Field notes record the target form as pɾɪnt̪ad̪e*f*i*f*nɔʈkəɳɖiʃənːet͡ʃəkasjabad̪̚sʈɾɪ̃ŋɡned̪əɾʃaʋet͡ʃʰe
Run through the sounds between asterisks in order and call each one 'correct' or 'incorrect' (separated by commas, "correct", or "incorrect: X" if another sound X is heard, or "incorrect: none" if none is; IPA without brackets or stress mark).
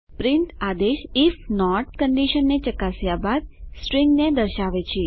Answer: incorrect: ʃ, correct